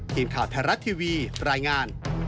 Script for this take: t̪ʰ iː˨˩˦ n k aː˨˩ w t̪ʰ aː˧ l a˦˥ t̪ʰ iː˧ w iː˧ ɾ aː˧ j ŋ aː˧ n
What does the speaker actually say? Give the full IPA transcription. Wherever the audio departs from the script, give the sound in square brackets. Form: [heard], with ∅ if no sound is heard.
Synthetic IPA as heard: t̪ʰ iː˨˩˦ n [kʰ] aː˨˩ w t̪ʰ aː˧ [ɾ] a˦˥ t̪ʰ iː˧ w iː˧ ɾ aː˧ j ŋ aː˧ n